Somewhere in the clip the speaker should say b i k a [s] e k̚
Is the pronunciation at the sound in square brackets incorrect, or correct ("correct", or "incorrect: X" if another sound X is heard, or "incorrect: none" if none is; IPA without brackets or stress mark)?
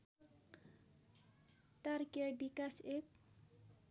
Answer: correct